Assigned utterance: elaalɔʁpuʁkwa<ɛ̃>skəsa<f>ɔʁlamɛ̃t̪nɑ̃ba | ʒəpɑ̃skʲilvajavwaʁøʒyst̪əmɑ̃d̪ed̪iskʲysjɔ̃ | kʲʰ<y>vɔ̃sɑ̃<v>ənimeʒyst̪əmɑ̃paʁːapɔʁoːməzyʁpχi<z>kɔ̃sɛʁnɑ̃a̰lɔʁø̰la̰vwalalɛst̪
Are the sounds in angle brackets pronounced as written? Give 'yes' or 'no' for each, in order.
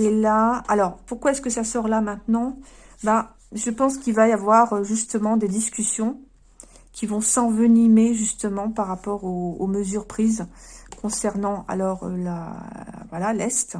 no, no, no, yes, yes

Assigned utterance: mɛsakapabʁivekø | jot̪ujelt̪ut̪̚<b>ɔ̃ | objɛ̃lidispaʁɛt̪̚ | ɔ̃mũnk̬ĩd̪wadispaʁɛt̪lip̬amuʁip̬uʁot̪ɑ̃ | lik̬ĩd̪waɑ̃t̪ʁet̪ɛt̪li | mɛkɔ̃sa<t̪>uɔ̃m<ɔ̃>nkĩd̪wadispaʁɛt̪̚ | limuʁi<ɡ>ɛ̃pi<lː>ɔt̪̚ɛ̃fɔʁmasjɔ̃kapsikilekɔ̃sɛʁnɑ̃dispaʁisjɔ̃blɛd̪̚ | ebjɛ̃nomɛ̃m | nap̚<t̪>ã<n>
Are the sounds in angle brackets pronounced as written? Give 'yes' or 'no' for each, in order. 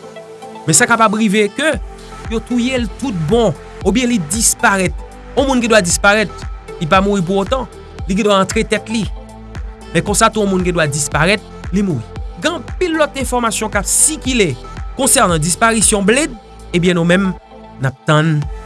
yes, yes, no, yes, yes, yes, yes

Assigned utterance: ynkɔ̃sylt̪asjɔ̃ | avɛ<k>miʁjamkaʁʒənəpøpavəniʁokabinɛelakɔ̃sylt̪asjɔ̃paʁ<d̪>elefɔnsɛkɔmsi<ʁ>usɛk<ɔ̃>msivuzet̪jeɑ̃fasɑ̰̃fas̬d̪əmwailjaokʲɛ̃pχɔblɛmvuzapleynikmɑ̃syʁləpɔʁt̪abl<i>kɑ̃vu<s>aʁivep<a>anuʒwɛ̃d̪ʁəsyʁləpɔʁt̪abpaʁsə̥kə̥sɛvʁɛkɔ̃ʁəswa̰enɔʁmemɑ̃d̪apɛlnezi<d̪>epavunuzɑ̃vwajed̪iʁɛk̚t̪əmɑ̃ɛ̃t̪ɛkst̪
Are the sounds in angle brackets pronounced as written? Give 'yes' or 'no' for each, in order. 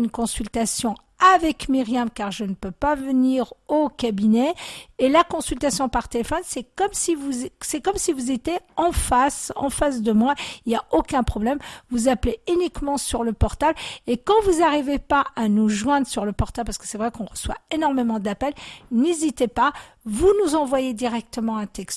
yes, no, no, no, no, no, yes, no

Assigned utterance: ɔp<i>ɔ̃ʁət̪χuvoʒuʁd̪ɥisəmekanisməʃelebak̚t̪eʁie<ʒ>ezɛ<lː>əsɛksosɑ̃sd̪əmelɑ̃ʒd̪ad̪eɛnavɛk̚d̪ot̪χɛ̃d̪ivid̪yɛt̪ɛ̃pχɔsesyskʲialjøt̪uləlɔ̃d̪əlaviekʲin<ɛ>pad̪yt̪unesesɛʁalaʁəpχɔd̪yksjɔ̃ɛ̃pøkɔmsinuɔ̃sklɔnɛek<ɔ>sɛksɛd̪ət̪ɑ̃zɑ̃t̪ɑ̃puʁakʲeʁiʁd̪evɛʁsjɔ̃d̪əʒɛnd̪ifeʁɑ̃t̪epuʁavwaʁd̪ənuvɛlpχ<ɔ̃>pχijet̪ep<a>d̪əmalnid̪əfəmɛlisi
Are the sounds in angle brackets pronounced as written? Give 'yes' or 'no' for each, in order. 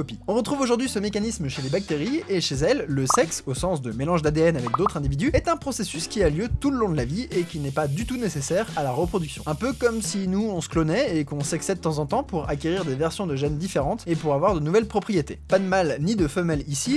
yes, no, yes, yes, no, no, yes

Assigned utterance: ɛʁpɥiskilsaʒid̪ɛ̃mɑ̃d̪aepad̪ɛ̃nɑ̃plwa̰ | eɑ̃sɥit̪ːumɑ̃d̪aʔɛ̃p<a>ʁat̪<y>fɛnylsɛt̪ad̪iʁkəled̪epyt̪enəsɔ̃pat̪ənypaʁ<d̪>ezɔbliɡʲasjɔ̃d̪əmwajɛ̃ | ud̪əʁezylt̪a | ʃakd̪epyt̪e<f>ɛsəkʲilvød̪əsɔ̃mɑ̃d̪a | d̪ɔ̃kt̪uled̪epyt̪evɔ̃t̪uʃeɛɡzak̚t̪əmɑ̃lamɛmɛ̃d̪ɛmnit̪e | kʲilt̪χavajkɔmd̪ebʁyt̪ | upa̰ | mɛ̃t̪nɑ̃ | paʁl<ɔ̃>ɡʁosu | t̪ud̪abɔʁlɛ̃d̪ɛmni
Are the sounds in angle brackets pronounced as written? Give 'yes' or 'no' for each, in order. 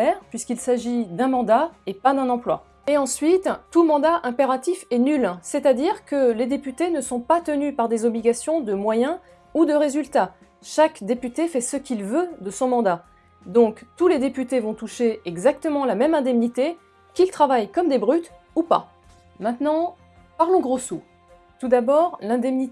no, no, yes, yes, yes

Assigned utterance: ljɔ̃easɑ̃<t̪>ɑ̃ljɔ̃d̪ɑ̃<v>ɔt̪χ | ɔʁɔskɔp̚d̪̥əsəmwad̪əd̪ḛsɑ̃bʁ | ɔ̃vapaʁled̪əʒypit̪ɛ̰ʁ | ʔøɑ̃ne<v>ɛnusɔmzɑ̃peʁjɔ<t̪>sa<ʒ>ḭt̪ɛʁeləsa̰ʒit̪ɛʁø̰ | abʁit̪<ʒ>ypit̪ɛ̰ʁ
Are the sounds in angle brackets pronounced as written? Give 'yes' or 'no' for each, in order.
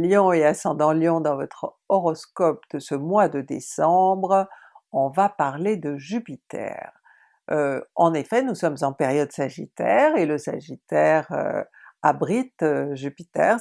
no, yes, no, no, yes, yes

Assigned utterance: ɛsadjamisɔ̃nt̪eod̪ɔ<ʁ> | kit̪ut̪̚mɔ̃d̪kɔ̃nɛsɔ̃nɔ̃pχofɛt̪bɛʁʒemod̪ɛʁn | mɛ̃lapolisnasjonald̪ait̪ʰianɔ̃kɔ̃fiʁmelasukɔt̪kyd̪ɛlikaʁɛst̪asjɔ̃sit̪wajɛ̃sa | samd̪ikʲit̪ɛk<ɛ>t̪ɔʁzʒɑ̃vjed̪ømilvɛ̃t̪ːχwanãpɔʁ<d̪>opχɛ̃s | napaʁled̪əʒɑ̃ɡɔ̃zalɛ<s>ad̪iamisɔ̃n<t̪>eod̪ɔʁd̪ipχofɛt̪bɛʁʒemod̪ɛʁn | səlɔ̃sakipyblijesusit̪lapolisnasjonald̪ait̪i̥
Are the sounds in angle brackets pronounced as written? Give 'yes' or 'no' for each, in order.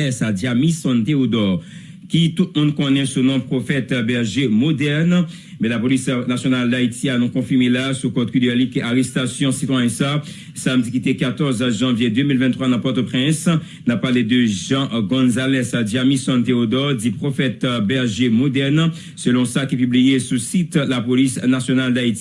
yes, no, no, yes, yes

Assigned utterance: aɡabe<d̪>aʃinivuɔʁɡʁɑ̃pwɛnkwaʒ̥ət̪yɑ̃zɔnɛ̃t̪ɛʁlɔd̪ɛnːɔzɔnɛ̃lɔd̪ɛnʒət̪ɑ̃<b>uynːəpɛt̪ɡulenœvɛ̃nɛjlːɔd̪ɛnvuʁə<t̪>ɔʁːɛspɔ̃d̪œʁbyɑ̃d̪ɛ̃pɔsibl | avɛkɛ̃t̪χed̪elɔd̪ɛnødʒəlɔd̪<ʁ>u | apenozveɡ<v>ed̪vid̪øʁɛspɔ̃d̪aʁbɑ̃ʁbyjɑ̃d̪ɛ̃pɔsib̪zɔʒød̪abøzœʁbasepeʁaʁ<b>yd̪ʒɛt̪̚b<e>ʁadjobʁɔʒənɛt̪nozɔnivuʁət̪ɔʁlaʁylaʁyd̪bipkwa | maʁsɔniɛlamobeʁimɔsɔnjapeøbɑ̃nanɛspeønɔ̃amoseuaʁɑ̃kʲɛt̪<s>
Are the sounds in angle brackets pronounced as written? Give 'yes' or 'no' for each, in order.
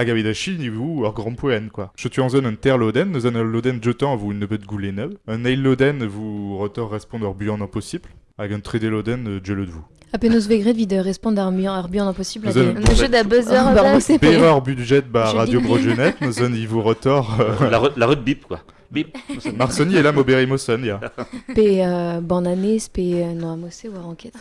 yes, no, yes, no, no, yes, no, no

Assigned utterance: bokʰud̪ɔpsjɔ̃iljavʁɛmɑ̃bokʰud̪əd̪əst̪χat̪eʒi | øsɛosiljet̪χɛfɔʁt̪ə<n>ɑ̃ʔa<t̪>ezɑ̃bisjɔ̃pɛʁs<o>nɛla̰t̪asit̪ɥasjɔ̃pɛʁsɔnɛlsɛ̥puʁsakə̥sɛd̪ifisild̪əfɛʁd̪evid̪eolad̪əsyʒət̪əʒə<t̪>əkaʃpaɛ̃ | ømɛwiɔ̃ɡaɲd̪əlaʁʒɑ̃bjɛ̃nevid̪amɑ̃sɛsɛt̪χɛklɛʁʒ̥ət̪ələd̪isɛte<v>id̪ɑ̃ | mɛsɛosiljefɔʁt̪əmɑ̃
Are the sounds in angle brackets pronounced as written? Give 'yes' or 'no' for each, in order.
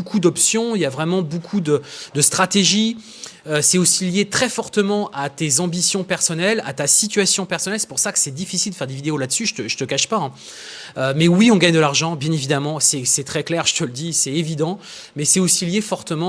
no, yes, no, yes, yes

